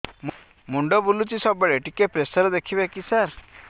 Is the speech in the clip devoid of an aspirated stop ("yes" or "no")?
no